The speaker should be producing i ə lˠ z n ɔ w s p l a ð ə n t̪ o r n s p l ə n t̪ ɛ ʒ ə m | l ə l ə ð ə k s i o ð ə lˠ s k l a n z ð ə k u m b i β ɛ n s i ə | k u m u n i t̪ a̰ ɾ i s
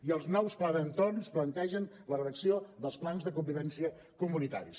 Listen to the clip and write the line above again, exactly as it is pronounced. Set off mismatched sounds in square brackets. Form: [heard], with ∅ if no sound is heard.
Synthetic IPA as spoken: i ə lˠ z n ɔ w s p l a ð ə n t̪ o r n s p l ə n t̪ ɛ ʒ ə [n] | l ə [r] ə ð ə k s i o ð ə lˠ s [p] l a n z ð ə k u m b i β ɛ n s i ə | k u m u n i t̪ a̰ ɾ i s